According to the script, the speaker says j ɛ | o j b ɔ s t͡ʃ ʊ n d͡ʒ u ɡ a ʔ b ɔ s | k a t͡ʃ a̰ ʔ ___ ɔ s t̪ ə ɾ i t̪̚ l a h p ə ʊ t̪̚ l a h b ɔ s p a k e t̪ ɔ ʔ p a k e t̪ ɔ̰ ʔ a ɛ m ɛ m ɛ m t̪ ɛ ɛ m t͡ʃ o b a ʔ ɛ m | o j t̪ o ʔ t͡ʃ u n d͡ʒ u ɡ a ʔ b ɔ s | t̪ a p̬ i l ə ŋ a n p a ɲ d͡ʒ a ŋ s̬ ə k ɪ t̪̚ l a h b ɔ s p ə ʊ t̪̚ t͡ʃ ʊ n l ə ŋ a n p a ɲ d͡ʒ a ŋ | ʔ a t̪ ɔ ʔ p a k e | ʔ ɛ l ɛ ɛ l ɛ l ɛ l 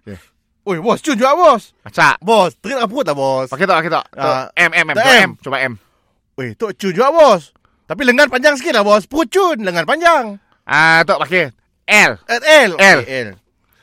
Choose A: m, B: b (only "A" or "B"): B